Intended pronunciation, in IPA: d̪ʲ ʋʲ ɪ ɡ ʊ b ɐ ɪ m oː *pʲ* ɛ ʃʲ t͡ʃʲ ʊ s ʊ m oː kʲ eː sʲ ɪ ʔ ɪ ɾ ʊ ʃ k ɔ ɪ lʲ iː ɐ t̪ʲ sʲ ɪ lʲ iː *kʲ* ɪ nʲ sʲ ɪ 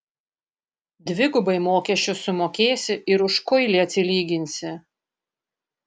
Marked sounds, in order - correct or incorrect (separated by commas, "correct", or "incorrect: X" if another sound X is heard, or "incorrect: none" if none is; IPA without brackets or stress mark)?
incorrect: kʲ, incorrect: ɡʲ